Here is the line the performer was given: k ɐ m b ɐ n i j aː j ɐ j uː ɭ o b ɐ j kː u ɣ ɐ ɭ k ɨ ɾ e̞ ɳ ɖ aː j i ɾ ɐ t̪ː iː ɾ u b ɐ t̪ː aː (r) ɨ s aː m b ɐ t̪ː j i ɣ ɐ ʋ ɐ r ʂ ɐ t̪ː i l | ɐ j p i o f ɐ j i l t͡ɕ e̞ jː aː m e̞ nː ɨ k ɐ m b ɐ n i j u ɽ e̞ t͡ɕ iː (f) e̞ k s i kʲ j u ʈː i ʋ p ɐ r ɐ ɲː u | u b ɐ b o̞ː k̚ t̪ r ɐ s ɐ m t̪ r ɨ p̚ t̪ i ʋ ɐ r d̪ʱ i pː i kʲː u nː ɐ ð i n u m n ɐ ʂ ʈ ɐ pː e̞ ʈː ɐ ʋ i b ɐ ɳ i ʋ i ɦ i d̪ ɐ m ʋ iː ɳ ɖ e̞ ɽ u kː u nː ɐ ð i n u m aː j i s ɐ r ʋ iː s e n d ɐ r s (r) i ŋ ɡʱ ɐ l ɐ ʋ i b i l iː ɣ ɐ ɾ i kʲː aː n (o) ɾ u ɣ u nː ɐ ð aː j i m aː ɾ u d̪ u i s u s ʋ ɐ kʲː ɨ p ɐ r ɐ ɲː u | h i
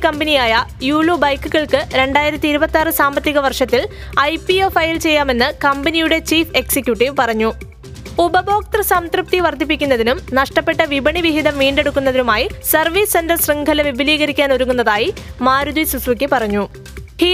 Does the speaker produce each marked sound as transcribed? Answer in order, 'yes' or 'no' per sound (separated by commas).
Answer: yes, yes, yes, yes